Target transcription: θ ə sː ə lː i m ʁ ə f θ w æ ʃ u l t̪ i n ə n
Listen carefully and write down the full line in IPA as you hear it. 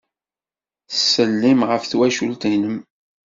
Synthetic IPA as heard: θ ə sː ə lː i m ʁ ə f θ w æ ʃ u l t̪ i n ə m